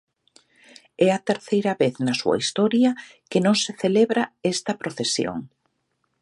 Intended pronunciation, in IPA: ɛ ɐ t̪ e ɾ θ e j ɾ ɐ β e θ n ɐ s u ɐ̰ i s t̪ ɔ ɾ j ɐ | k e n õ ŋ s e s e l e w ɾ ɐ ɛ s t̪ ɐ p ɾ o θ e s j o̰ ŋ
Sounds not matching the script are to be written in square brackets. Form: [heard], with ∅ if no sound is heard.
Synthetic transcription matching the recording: ɛ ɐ t̪ e ɾ θ e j ɾ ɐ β e θ n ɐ s u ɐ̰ i s t̪ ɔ ɾ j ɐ | k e n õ ŋ s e [θ] e l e [β] ɾ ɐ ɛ s t̪ ɐ p ɾ o θ e s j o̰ ŋ